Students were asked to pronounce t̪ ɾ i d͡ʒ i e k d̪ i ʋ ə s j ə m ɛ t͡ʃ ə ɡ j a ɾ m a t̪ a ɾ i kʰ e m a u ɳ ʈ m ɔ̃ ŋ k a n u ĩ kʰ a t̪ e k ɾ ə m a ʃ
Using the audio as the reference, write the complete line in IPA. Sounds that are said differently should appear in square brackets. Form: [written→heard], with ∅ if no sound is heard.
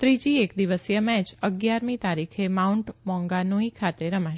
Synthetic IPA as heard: t̪ ɾ i d͡ʒ i e k d̪ i ʋ ə s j ə m ɛ t͡ʃ ə ɡ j a ɾ m [a→i] t̪ a ɾ i kʰ e m a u ɳ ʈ m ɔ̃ ŋ [k→ɡ] a n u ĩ kʰ a t̪ e [k→∅] ɾ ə m a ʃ